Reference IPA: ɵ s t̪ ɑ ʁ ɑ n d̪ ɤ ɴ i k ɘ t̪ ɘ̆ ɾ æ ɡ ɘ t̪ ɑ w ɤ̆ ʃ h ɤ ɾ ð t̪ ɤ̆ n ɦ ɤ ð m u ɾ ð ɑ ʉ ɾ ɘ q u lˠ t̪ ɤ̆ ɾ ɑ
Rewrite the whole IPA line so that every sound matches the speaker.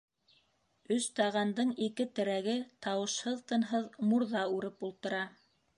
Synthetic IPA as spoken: ɵ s t̪ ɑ ʁ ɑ n d̪ ɤ ɴ i k ɘ t̪ ɘ̆ ɾ æ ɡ ɘ t̪ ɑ w ɤ̆ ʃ h ɤ ð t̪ ɤ̆ n ɦ ɤ ð m u ɾ ð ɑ ʉ ɾ ɘ p u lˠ t̪ ɤ̆ ɾ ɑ